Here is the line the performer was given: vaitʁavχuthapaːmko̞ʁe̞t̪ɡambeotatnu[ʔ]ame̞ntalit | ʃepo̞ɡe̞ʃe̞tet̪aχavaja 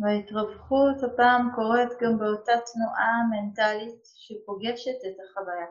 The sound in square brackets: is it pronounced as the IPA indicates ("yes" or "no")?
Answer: yes